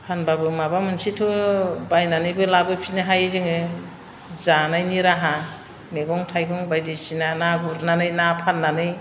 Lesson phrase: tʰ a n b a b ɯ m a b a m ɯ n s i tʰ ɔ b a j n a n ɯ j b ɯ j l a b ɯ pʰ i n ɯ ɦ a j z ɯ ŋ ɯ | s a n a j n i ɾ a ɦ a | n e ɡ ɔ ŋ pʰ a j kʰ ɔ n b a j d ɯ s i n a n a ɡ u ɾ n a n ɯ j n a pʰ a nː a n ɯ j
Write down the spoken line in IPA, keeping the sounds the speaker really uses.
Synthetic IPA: pʰ a n b a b ɯ m a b a m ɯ n s i tʰ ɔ b a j n a n ɯ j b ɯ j l a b ɯ pʰ i n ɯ ɦ a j z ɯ ŋ ɯ | z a n a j n i ɾ a ɦ a | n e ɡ ɔ ŋ tʰ a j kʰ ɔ ŋ b a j d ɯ s i n a n a ɡ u ɾ n a n ɯ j n a pʰ a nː a n ɯ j